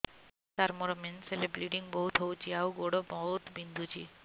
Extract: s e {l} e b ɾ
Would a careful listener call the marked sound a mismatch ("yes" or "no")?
no